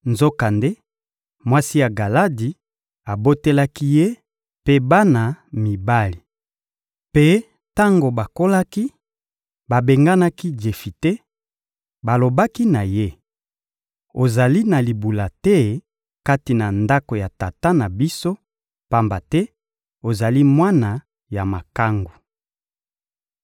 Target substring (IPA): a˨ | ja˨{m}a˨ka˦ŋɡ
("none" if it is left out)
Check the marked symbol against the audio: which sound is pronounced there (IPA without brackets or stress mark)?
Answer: m